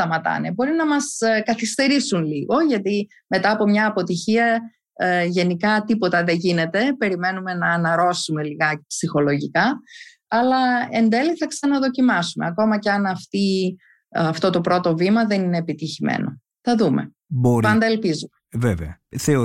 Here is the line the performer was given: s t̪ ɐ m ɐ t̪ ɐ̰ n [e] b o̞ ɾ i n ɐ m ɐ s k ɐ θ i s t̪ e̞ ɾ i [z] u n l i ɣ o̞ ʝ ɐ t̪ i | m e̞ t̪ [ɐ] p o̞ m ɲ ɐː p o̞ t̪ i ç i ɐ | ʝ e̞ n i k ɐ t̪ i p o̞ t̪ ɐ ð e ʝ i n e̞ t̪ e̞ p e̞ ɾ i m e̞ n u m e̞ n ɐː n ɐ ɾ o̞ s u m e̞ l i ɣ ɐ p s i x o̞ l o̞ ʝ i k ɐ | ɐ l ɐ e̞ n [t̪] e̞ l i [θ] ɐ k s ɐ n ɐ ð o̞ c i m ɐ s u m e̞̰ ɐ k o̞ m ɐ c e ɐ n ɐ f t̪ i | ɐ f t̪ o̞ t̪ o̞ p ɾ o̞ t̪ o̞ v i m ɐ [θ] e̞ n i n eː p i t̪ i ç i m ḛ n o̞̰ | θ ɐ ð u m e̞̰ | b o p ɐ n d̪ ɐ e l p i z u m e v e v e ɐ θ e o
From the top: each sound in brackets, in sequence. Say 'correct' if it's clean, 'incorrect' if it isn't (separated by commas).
correct, incorrect, incorrect, incorrect, correct, incorrect